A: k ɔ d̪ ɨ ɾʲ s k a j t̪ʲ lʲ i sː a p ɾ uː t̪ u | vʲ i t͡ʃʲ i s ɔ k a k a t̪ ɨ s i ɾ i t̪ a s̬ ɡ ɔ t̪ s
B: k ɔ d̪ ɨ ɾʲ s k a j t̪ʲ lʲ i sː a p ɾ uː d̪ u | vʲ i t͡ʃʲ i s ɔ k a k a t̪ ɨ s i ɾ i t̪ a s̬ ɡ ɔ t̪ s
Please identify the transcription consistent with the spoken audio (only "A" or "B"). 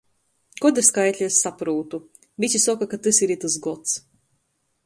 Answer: A